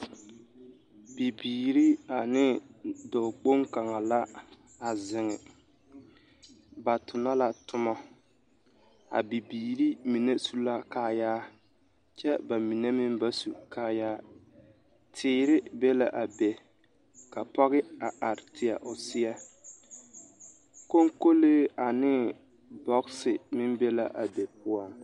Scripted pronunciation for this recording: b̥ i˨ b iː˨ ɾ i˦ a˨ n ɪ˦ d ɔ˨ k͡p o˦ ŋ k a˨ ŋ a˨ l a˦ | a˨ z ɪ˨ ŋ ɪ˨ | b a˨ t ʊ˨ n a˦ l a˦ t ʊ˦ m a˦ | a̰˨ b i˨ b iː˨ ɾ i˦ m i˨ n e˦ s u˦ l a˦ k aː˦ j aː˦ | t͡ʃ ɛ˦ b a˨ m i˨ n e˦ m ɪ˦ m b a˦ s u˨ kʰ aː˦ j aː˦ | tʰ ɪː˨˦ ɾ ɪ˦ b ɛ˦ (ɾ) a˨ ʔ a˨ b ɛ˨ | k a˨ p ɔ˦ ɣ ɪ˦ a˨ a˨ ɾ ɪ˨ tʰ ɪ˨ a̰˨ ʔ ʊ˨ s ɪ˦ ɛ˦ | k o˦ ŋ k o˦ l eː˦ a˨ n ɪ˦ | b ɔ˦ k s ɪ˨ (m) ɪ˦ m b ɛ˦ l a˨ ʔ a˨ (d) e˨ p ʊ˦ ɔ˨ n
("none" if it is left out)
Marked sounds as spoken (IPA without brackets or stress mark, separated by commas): l, m, b